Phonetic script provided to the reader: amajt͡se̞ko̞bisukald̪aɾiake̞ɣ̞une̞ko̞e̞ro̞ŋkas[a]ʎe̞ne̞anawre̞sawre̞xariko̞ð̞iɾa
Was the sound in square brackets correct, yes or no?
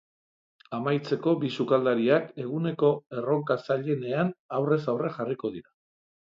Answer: yes